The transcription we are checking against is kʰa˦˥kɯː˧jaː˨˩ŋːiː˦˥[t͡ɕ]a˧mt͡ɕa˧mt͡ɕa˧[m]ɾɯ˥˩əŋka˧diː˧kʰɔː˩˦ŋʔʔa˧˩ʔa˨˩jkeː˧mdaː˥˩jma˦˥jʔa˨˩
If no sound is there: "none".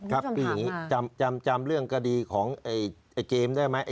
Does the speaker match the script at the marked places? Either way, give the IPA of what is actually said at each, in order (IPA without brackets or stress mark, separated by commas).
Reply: t͡ɕ, m